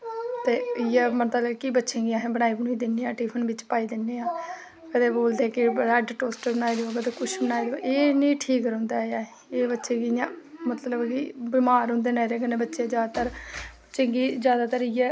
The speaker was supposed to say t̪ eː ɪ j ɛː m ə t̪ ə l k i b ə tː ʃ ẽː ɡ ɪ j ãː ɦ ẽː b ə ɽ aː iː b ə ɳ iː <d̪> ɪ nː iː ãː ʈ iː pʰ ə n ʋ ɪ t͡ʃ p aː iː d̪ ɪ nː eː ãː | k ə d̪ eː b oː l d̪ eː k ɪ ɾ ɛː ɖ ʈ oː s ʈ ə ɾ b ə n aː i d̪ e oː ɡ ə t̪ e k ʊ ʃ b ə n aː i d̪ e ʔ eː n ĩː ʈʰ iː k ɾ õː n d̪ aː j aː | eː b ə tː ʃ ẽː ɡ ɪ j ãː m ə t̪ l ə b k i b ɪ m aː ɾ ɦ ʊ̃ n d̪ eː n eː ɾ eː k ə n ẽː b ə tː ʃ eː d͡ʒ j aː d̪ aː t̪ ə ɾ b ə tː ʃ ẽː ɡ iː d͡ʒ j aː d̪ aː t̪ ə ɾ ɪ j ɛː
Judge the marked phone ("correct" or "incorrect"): correct